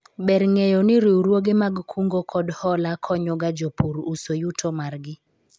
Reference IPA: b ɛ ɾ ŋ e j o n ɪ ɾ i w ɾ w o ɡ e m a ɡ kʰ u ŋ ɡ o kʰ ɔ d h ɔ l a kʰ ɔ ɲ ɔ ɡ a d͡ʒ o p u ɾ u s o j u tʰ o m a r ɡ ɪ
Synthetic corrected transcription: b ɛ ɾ ŋ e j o n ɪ ɾ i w ɾ w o ɡ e m a ɡ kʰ u ŋ ɡ o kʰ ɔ d h ɔ l a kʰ ɔ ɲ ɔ ɡ a d͡ʒ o p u ɾ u s o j u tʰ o m a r ɡ ɪ